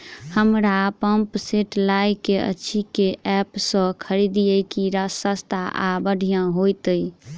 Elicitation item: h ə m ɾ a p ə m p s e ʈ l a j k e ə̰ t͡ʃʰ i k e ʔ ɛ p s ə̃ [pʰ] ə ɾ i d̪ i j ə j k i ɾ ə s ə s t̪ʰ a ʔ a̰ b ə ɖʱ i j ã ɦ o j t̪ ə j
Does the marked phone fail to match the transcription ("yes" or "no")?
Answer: yes